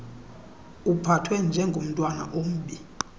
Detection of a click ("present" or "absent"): absent